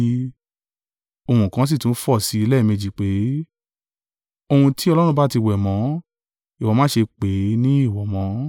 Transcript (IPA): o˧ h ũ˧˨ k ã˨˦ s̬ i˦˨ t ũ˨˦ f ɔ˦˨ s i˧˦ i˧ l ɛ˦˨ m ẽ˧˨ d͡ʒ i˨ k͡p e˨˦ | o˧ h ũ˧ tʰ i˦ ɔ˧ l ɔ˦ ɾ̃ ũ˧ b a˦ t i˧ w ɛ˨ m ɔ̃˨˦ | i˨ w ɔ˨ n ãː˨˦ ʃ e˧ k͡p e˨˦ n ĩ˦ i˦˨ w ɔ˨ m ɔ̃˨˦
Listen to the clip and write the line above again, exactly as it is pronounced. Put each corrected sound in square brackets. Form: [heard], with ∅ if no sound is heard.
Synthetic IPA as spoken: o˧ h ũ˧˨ k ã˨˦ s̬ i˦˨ t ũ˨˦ f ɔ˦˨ s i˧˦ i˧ l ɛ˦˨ m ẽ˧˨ d͡ʒ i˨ k͡p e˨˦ | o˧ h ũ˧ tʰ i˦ ɔ˧ l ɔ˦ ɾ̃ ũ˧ b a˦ t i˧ w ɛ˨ m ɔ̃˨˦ | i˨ w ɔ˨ [m] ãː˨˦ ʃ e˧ k͡p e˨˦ n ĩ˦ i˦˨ w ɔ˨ m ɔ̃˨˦

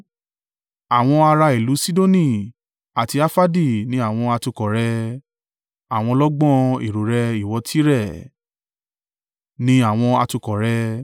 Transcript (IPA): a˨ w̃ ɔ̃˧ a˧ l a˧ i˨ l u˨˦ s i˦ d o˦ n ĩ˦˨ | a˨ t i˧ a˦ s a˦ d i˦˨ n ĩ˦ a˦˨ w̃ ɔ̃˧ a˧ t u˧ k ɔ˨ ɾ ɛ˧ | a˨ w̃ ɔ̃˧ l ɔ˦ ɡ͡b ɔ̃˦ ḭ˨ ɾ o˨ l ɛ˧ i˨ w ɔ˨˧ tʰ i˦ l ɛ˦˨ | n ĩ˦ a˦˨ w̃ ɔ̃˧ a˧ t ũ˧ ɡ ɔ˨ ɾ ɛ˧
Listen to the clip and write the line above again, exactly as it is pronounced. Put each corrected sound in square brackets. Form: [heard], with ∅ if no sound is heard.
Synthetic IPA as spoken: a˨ w̃ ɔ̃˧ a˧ [ɾ] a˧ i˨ l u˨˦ s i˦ d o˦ n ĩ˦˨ | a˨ t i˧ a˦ [f] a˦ d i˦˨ n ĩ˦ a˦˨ w̃ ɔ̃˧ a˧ t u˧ k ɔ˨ ɾ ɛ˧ | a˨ w̃ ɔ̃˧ l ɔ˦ ɡ͡b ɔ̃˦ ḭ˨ ɾ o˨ [ɾ] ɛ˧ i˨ w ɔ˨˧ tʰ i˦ [ɾ] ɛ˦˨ | n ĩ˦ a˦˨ w̃ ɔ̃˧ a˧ t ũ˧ [k] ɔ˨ ɾ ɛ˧

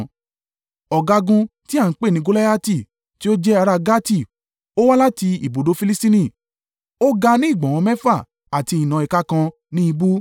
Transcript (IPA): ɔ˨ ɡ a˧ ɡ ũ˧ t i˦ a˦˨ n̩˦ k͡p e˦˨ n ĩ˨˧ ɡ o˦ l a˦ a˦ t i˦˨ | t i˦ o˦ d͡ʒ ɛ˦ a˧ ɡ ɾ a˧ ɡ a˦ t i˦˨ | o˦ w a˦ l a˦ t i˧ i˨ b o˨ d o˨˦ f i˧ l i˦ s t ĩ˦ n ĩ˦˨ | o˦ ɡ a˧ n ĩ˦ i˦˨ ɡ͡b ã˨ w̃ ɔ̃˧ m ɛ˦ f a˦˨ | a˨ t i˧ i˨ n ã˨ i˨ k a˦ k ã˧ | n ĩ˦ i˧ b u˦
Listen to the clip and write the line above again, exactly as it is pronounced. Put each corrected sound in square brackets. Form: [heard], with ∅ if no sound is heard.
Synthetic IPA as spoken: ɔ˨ ɡ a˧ ɡ ũ˧ t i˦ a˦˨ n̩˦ k͡p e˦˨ n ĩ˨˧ ɡ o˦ l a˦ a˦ t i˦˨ | t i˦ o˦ d͡ʒ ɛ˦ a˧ [∅] ɾ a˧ ɡ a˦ t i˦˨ | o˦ w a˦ l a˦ t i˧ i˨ b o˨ d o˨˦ f i˧ l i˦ s t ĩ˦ n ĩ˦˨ | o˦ ɡ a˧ n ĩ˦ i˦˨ ɡ͡b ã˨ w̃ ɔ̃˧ m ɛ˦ f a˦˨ | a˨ t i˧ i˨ n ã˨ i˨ k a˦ k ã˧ | n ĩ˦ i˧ b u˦

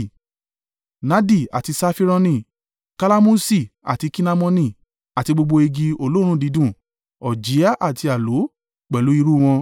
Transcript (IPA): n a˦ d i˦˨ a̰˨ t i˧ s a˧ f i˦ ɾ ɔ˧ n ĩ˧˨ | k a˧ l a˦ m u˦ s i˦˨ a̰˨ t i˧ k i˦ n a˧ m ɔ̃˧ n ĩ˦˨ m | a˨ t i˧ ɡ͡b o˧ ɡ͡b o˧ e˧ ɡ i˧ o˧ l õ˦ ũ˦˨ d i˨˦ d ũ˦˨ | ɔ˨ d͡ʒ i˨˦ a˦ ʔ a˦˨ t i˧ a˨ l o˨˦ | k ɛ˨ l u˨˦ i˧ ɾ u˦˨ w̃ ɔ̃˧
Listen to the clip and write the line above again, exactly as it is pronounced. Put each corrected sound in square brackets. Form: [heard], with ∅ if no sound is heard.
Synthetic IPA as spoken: n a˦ d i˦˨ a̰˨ t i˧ s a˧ f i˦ ɾ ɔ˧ n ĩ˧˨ | k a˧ l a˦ m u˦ s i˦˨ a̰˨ t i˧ k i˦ n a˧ m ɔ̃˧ n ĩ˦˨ [∅] | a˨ t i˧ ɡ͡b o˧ ɡ͡b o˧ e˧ ɡ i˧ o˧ l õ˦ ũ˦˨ d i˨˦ d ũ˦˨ | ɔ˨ d͡ʒ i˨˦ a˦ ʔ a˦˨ t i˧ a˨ l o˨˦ | [k͡p] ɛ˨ l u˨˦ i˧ ɾ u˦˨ w̃ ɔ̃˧

